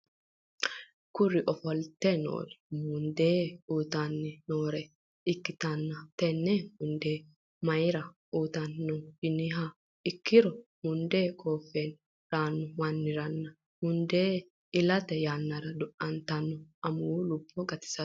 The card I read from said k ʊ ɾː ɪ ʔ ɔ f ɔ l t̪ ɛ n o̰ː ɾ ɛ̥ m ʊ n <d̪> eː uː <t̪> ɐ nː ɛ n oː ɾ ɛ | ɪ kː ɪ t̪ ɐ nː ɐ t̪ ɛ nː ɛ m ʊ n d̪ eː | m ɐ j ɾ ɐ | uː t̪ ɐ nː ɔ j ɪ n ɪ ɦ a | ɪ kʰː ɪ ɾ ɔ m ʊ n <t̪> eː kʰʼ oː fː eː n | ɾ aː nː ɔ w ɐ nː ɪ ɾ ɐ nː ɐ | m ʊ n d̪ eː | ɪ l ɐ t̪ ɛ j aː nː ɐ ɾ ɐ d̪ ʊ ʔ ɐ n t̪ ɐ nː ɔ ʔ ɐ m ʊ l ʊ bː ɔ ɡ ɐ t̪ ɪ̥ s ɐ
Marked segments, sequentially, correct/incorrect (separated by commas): correct, correct, incorrect